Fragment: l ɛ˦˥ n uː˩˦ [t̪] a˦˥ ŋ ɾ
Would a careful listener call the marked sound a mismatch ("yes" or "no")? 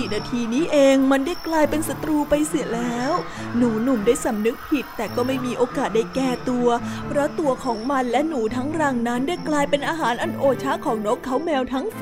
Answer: yes